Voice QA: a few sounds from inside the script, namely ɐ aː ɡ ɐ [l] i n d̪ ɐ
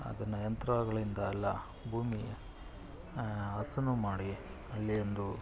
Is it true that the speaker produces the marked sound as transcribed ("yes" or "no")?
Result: no